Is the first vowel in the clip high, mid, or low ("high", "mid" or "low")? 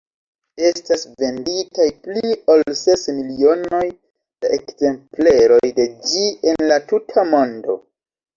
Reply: mid